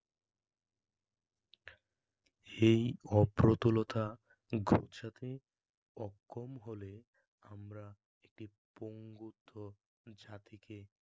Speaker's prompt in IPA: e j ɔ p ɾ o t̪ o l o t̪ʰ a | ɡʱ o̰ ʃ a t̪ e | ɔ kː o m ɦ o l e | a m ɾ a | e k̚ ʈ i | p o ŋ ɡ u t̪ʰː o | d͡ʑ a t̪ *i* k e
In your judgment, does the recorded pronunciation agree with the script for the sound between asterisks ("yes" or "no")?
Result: yes